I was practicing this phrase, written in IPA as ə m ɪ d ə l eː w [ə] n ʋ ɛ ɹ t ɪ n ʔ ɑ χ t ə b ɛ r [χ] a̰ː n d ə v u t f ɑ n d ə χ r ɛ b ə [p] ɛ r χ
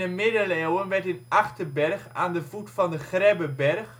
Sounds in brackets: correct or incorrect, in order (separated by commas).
correct, correct, incorrect